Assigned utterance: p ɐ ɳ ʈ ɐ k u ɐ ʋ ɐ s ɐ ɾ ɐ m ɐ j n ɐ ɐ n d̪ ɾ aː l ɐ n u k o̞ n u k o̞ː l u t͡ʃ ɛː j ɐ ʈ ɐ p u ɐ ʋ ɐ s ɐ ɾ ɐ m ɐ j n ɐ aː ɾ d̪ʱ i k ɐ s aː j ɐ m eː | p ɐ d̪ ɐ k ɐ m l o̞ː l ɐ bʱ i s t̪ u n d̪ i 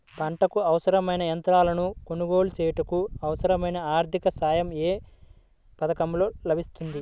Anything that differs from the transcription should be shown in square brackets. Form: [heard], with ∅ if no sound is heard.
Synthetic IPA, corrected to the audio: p ɐ ɳ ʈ ɐ k u ɐ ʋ ɐ s ɐ ɾ ɐ m ɐ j n ɐ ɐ n [t̪] ɾ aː l ɐ n u k o̞ n u [ɡ] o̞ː l u t͡ʃ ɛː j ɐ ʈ ɐ [k] u ɐ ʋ ɐ s ɐ ɾ ɐ m ɐ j n ɐ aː ɾ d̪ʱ i k ɐ s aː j ɐ m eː | p ɐ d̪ ɐ k ɐ m l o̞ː l ɐ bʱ i s t̪ u n d̪ i